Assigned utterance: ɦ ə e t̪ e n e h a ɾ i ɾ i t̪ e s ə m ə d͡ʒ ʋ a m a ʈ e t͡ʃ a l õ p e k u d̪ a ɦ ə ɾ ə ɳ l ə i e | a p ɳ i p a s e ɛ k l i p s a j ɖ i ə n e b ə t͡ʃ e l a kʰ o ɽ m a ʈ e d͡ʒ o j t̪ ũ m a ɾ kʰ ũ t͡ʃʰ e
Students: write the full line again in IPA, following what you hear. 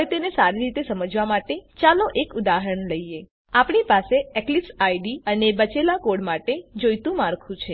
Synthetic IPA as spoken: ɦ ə e t̪ e n e s a ɾ i ɾ i t̪ e s ə m ə d͡ʒ ʋ a m a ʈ e t͡ʃ a l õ ʔ e k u d̪ a ɦ ə ɾ ə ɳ l ə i e | a p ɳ i p a s e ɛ k l i p s a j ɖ i ə n e b ə t͡ʃ e l a k o ɽ m a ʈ e d͡ʒ o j t̪ ũ m a ɾ kʰ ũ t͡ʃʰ e